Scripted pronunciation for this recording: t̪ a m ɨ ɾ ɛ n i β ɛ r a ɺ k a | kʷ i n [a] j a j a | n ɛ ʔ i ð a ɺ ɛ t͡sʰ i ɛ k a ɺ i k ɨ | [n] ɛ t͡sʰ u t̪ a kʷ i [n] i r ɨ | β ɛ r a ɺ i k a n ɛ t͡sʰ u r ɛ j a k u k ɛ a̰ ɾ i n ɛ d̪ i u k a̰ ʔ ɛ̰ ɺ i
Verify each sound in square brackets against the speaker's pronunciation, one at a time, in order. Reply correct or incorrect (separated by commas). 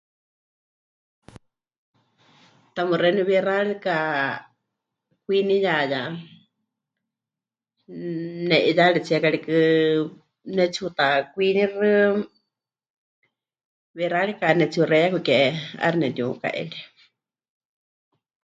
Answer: incorrect, correct, correct